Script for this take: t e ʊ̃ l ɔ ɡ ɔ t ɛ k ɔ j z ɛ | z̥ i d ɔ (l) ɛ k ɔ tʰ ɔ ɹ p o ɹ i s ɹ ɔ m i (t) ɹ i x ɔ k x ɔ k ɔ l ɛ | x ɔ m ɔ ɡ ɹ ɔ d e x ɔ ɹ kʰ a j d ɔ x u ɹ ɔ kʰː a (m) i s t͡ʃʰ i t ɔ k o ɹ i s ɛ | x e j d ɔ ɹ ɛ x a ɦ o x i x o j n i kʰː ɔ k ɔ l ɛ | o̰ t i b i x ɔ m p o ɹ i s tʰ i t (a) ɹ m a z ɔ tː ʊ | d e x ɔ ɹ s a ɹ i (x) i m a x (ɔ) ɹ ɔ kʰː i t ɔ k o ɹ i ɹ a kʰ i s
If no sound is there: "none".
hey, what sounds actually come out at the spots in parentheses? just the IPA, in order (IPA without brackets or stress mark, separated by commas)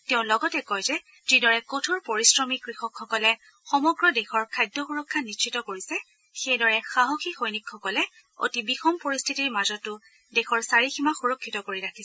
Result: ɹ, k, n, i, x, u